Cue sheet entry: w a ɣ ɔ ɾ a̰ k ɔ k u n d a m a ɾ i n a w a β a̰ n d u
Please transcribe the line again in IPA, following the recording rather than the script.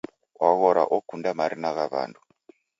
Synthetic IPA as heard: w a ɣ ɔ ɾ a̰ ʔ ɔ k u n d a m a ɾ i n a ɣ a β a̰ n d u